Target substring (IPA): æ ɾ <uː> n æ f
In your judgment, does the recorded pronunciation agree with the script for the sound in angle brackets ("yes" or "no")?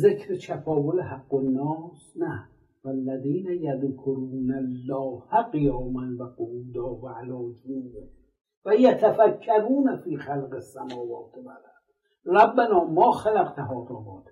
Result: yes